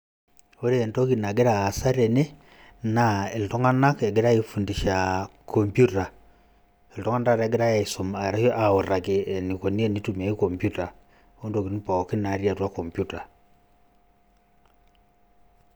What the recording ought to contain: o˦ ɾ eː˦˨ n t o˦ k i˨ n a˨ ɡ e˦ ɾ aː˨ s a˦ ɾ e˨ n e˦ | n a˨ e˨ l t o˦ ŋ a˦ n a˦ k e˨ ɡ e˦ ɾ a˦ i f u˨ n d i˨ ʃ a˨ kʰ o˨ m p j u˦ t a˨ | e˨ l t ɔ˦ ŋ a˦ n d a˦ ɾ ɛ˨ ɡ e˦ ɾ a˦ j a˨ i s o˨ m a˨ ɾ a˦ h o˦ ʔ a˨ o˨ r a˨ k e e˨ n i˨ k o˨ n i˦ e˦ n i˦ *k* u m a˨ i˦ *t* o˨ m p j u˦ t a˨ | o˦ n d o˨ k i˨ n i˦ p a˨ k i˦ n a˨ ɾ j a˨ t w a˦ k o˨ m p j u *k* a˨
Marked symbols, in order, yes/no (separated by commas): no, no, no